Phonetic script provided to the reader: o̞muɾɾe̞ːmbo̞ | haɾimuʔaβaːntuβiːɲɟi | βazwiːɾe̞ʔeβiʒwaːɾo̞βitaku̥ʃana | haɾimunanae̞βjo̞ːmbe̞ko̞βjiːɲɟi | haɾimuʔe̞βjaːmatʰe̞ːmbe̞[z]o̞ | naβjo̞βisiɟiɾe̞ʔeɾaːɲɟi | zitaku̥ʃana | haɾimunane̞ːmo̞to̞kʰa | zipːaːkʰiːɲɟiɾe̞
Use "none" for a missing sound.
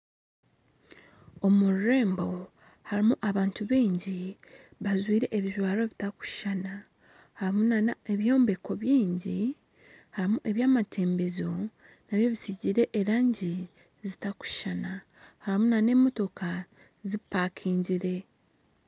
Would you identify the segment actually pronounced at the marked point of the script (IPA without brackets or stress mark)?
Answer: z